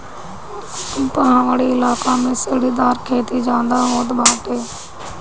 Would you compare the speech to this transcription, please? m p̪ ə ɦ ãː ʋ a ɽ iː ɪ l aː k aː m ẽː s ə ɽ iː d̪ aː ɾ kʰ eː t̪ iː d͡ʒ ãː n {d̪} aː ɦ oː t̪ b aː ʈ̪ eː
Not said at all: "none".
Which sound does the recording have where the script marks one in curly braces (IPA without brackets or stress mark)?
d̪